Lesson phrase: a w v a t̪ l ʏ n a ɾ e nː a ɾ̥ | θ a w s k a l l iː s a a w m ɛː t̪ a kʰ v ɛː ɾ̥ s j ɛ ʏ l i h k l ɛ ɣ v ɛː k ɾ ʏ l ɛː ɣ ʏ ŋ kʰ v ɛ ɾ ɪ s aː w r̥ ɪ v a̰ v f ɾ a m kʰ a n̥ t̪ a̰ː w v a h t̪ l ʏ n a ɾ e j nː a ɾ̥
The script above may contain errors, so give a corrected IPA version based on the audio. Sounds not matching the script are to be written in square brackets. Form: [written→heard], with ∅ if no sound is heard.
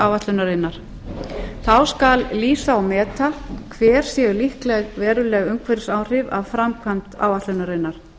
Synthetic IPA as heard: a w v a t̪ l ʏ n a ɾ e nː a ɾ̥ | θ a w s k a l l iː s a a w m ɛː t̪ a kʰ v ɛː ɾ̥ s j ɛ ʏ l i h k l ɛ ɣ v ɛː [k→∅] ɾ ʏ l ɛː ɣ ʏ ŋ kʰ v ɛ ɾ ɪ s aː w r̥ ɪ v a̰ v f ɾ a m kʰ a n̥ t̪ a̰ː w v a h t̪ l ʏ n a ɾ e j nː a ɾ̥